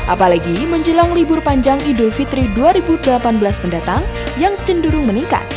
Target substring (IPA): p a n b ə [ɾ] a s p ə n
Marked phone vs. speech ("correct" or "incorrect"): incorrect